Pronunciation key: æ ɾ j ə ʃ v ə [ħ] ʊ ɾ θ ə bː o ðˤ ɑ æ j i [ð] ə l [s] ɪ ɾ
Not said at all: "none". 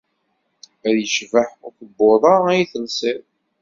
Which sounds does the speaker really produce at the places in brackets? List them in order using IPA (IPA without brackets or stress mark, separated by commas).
ħ, θ, s